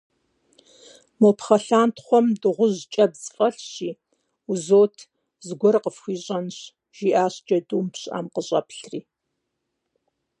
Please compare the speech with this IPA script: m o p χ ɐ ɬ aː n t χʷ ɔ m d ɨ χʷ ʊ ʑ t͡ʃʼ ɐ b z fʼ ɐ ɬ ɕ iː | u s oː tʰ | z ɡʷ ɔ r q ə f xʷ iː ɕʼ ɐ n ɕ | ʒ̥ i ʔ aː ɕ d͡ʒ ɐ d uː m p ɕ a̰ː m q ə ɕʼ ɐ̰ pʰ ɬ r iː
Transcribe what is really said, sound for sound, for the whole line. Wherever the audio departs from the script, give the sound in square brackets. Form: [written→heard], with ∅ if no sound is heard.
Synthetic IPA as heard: m o p χ ɐ ɬ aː n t χʷ ɔ m d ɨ [χʷ→ʁʷ] ʊ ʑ t͡ʃʼ ɐ b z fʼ ɐ ɬ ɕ iː | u [s→z] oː tʰ | z ɡʷ ɔ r q ə f xʷ iː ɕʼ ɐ n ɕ | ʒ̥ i ʔ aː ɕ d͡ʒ ɐ d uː m p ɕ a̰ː m q ə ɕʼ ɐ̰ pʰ ɬ r iː